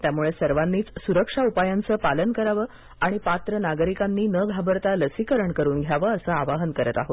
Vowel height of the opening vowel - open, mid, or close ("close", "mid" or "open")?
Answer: open